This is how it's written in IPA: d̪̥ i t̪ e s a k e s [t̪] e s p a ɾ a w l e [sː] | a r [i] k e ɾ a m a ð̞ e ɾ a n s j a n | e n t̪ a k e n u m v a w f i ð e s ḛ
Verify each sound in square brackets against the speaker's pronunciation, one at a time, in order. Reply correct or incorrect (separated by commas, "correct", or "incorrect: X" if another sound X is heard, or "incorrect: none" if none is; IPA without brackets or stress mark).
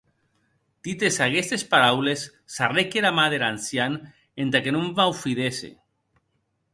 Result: correct, correct, incorrect: e